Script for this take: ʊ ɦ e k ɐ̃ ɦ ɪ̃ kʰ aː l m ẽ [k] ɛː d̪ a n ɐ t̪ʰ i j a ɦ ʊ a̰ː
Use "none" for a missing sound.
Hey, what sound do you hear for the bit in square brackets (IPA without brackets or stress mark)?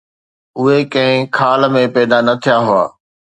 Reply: p